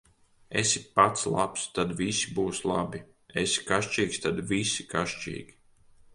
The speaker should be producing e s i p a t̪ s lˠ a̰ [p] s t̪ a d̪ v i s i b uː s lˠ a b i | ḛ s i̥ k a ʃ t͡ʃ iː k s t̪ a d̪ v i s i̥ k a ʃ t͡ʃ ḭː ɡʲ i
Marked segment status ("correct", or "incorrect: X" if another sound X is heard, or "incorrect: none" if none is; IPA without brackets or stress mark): correct